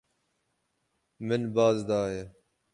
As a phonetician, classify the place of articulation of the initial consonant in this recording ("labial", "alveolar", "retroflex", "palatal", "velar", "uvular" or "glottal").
labial